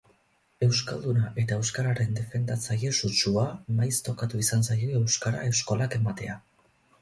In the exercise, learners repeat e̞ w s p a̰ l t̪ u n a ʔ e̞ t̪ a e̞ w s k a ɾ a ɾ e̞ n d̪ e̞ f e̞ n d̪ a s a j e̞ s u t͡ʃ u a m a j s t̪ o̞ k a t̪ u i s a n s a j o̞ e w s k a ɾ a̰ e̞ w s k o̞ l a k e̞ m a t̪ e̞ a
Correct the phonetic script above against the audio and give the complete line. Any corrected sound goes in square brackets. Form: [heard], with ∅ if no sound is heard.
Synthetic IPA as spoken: e̞ w s [k] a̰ l [d̪] u n a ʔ e̞ t̪ a e̞ w s k a ɾ a ɾ e̞ n d̪ e̞ f e̞ n d̪ a [t͡s] a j e̞ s u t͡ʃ u a m a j s t̪ o̞ k a t̪ u i s a n s a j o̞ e w s k a ɾ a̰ e̞ w s k o̞ l a k e̞ m a t̪ e̞ a